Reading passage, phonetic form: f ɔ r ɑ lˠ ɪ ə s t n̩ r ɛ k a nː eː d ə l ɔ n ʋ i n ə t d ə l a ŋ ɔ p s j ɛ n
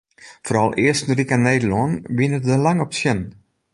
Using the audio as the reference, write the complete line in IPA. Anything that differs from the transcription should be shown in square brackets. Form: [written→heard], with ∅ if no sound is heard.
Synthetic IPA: f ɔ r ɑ lˠ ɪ ə s t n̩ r [ɛ→i] k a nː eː d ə l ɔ n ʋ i n ə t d ə l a ŋ ɔ p s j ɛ n